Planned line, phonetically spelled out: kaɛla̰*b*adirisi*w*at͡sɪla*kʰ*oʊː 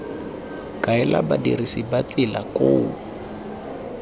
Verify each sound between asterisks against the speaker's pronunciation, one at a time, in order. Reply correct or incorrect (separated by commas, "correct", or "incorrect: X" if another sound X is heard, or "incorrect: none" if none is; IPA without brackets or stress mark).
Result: correct, incorrect: b, incorrect: k